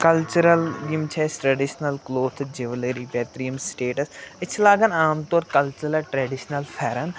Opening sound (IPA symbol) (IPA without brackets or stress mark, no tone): k